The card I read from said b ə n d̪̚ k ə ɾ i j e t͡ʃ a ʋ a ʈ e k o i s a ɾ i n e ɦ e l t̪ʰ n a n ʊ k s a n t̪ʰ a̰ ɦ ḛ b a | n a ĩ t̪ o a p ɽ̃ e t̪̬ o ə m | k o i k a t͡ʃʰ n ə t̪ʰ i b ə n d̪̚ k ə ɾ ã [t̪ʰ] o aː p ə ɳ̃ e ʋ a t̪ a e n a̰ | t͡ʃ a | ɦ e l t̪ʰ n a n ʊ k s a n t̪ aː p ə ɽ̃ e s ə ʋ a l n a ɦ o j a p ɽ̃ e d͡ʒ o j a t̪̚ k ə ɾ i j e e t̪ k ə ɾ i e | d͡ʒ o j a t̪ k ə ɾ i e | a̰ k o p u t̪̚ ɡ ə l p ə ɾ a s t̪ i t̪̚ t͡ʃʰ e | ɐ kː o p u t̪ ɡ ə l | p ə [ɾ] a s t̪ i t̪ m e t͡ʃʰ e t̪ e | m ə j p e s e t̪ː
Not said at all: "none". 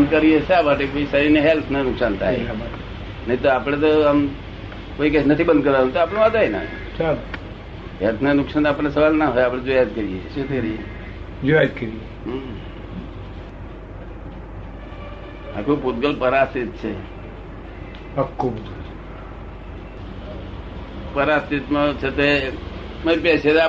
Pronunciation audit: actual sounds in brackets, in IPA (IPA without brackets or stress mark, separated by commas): t̪, ɾ